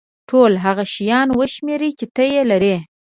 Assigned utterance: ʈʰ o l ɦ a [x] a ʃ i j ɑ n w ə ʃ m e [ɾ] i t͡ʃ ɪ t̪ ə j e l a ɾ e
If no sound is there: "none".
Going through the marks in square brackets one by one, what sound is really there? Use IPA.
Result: ɣ, ɾ

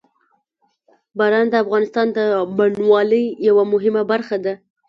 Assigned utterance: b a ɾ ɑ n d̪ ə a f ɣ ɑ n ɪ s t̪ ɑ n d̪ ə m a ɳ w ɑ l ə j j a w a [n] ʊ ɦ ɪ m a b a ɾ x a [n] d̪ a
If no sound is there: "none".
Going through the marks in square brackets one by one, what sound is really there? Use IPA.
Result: m, none

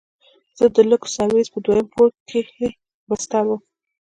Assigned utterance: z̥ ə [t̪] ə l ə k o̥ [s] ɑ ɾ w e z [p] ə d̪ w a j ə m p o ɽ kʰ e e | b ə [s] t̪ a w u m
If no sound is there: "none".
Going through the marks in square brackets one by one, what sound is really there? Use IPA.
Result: d̪, s, p, s

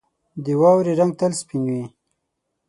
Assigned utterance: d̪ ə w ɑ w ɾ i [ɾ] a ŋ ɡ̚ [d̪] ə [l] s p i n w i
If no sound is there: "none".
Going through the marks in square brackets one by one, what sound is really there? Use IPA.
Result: ɾ, t̪, l

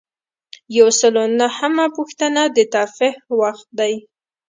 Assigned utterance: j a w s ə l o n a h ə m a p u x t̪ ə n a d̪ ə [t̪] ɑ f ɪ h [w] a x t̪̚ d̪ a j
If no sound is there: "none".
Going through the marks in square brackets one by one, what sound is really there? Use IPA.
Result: t̪, w

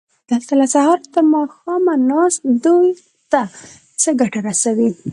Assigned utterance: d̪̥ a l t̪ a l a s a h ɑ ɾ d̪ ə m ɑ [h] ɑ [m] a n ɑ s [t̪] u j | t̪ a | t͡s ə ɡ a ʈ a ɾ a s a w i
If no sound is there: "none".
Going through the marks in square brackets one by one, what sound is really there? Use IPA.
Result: x, m, d̪

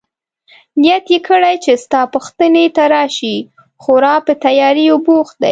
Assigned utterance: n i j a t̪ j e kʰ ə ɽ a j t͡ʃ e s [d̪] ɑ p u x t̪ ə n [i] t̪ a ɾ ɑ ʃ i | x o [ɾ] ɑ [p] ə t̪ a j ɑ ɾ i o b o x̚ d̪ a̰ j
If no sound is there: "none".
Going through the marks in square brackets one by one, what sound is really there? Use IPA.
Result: t̪, e, ɾ, p

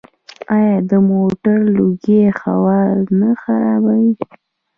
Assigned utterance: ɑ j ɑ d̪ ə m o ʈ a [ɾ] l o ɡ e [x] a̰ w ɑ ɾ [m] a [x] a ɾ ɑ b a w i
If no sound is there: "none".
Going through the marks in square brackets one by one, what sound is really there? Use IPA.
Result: ɾ, x, n, x

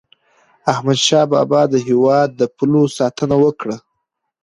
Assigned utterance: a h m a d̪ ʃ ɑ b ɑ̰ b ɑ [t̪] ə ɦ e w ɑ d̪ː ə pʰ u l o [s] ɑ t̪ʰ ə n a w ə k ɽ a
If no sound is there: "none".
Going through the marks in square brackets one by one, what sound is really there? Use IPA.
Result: d̪, s

